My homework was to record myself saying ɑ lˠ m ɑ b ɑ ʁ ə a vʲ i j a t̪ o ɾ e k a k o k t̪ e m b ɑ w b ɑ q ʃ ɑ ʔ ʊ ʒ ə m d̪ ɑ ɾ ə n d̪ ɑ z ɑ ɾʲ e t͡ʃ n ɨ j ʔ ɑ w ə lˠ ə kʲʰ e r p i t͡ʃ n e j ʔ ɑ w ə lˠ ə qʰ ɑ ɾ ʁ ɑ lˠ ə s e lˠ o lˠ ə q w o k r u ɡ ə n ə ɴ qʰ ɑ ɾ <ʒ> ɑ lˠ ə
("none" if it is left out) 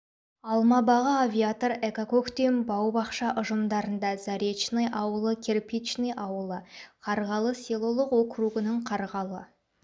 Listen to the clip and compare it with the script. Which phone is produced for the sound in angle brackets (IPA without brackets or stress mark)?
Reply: ʁ